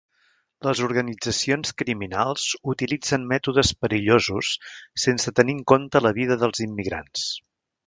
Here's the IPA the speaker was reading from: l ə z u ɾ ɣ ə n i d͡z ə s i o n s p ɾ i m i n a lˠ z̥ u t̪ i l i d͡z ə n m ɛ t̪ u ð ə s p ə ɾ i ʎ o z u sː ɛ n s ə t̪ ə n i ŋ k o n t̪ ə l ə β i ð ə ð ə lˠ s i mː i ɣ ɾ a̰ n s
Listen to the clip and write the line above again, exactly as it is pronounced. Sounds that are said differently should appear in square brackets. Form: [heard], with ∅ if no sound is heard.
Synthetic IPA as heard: l ə z u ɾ ɣ ə n i d͡z ə s i o n s [k] ɾ i m i n a lˠ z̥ u t̪ i l i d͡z ə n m ɛ t̪ u ð ə s p ə ɾ i ʎ o z u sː [e] n s ə t̪ ə n i ŋ k o n t̪ ə l ə β i ð ə ð ə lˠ [z] i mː i ɣ ɾ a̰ n s

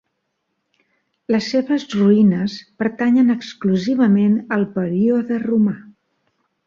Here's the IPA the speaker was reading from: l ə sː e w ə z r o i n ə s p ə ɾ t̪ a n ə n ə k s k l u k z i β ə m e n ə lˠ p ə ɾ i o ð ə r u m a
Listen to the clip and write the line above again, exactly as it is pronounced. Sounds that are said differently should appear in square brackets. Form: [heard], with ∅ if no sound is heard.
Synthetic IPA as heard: l ə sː e [β] ə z r [u] i n ə s p ə ɾ t̪ a [ɲ] ə n ə k s k l u [∅] z i β ə m e n ə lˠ p ə ɾ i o ð ə r u m a

